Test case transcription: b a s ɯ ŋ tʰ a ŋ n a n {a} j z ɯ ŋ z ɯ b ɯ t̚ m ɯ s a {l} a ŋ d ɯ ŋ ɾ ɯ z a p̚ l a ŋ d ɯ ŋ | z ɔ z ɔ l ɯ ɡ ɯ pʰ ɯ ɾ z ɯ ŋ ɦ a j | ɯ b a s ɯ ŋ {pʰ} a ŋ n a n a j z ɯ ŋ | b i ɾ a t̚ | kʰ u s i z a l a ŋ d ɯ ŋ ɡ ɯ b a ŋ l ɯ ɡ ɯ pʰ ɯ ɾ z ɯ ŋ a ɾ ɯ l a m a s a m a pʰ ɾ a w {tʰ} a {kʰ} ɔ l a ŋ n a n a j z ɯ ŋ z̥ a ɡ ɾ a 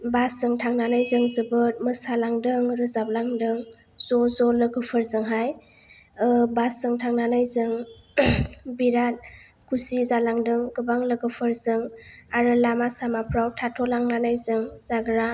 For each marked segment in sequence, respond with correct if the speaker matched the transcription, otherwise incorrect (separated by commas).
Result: correct, correct, incorrect, correct, incorrect